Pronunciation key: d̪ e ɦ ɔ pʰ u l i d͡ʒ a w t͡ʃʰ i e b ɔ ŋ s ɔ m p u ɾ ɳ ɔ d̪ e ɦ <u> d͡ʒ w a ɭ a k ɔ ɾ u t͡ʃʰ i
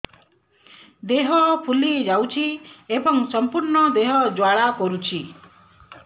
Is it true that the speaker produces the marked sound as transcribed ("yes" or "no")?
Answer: no